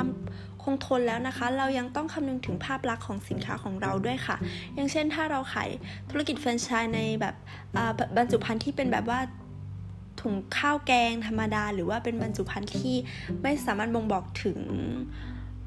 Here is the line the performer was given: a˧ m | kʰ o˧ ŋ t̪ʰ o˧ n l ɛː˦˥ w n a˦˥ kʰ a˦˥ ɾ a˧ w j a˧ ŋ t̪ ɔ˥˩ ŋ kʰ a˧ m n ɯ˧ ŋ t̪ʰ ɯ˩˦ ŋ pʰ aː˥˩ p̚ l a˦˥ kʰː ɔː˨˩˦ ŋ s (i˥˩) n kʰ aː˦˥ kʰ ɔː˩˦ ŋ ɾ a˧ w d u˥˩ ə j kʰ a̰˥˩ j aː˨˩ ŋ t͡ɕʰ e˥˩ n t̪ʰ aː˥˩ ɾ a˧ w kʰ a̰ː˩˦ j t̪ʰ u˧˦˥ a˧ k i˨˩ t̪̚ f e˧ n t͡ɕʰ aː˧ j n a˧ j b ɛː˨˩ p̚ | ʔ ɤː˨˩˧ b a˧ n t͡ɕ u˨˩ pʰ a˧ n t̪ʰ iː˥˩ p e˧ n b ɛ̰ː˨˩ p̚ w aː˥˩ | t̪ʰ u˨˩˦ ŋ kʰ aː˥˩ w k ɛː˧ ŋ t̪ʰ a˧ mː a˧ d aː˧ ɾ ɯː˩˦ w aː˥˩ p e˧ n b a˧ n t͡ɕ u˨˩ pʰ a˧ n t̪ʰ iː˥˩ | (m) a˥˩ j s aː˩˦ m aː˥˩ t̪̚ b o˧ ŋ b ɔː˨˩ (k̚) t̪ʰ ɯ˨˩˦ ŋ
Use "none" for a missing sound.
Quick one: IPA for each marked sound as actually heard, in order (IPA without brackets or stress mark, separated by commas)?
i˨˩˦, m, k̚